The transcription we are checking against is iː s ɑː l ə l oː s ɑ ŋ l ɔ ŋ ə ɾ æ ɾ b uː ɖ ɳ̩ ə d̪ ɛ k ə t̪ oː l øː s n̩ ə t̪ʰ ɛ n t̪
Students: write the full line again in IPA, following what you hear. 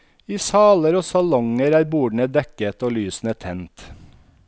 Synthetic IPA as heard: iː s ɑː l ə ɾ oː s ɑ l ɔ ŋ ə ɾ æː ɾ b uː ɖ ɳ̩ ə d̪ ɛ k ə t̪ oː l yː s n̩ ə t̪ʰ ɛ n t̪